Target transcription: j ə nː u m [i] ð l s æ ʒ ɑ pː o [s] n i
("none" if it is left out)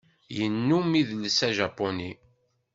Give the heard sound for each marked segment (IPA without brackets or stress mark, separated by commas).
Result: i, none